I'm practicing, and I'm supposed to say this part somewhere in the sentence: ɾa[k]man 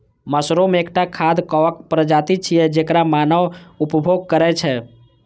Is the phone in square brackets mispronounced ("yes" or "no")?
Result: yes